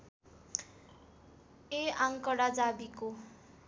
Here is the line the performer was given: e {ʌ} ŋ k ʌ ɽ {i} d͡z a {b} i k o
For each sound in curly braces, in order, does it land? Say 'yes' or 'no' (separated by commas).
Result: no, no, yes